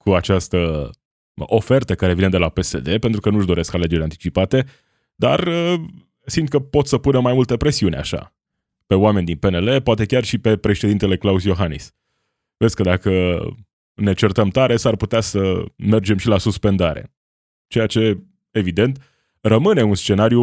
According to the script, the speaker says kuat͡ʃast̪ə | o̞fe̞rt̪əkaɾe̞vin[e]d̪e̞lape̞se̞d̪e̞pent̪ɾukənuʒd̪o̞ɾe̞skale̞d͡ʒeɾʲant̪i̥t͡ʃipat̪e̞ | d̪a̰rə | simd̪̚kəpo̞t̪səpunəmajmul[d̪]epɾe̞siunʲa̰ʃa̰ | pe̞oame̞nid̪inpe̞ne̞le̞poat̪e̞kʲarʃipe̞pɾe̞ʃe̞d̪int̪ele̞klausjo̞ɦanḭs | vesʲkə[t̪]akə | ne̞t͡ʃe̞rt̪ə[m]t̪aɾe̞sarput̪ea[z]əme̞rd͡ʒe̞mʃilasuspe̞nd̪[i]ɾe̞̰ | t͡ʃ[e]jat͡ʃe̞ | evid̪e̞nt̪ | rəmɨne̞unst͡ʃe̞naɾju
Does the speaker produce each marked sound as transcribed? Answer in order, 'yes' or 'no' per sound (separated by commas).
yes, no, no, yes, no, no, yes